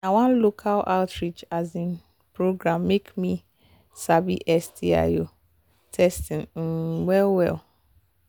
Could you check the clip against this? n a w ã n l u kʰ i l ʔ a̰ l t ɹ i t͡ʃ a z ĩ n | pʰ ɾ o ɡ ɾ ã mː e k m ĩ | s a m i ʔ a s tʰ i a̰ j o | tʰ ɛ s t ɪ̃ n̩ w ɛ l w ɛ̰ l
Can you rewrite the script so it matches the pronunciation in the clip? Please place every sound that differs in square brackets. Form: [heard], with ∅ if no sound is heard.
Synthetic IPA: n a w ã n l [o] kʰ [a] l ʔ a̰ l t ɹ i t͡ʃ a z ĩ n | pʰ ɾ o ɡ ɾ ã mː e k m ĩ | s a [b] i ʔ [ɛ] s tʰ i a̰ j o | tʰ ɛ s t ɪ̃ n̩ w ɛ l w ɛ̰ l

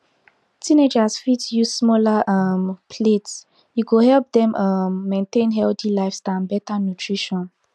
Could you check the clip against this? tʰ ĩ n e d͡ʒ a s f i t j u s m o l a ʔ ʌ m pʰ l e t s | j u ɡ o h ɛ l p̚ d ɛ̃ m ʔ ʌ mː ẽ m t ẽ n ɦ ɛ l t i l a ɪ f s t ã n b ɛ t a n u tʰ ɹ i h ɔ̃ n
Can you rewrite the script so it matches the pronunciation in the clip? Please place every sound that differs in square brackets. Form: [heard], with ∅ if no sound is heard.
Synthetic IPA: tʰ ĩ n e d͡ʒ a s f i t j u s m [ɔ] l a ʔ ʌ m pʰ l e t s | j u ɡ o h ɛ l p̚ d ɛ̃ m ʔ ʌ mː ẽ [n] t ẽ n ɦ ɛ l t i l a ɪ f s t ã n b ɛ t a n u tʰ ɹ i [ʃ] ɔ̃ n

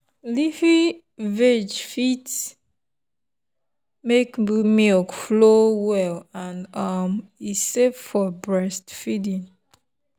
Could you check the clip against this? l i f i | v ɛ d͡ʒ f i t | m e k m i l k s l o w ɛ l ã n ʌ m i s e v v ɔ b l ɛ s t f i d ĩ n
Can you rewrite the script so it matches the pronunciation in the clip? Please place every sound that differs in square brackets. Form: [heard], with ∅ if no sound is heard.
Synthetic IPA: l i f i | v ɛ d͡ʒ f i t | m e k m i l k [f] l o w ɛ l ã n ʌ m i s e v [f] ɔ b [ɹ] ɛ s t f i d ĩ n

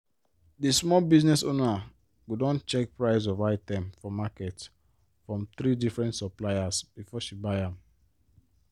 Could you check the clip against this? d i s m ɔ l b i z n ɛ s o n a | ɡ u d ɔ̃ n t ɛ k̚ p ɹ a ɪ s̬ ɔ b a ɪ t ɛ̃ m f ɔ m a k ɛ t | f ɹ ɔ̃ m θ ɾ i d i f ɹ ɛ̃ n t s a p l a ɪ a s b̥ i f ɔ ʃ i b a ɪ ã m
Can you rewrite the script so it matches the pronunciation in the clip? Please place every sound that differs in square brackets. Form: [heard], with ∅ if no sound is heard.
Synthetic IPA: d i s m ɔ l b i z n ɛ s o n a | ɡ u d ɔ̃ n [t͡ʃ] ɛ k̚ p ɹ a ɪ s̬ ɔ [v] a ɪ t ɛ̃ m f ɔ m a k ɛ t | f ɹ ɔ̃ m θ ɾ i d i f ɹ ɛ̃ n t s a p l a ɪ a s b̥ i f ɔ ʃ i b a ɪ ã m

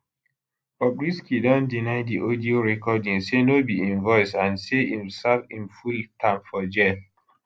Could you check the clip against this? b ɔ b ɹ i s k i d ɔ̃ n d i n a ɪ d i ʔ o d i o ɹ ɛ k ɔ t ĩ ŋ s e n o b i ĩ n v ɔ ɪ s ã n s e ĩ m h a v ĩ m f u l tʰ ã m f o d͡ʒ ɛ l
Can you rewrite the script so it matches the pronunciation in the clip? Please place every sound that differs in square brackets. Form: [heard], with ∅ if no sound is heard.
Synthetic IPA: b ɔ b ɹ i s k i d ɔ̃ n d i n a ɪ d i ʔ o d i o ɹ ɛ k ɔ [d] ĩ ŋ s e n o b i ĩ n v ɔ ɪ s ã n s e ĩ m [s] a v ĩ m f u l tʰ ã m f [ɔ] d͡ʒ ɛ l

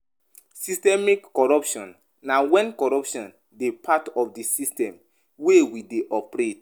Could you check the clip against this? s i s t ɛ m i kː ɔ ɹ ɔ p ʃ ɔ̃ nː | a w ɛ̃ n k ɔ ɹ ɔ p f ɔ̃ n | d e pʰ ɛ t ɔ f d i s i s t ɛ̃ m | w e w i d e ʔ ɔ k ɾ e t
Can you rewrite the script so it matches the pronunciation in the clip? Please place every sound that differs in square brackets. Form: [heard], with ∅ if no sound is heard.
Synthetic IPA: s i s t ɛ m i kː ɔ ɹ ɔ p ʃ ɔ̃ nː | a w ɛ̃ n k ɔ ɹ ɔ p [ʃ] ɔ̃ n | d e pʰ [a] t ɔ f d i s i s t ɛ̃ m | w e w i d e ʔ ɔ [p] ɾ e t

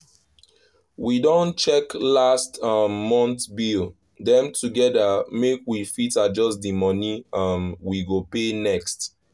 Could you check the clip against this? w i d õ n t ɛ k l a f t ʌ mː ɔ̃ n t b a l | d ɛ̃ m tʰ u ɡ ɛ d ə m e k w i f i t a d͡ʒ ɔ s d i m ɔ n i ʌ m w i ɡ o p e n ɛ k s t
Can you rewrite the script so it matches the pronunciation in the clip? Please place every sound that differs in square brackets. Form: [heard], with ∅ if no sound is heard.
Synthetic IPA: w i d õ n [t͡ʃ] ɛ k l a [s] t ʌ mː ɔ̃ n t b [i] l | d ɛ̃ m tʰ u ɡ ɛ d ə m e k w i f i t a d͡ʒ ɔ s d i m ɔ n i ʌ m w i ɡ o p e n ɛ k s t

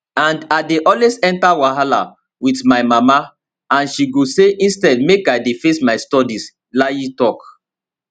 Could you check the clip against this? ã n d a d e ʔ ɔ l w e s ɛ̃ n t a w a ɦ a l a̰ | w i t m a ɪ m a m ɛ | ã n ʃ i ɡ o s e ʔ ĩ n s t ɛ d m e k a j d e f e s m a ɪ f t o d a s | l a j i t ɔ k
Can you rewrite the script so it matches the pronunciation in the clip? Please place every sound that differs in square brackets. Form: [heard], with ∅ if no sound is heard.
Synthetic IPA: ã n d a d e ʔ ɔ l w e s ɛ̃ n t a w a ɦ a l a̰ | w i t m a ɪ m a m [a] | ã n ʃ i ɡ o s e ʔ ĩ n s t ɛ d m e k a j d e f e s m a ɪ [s] t [ɔ] d [i] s | l a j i t ɔ k

